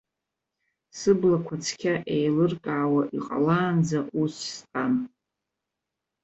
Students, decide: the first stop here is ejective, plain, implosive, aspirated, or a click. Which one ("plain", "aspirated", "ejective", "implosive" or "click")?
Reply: plain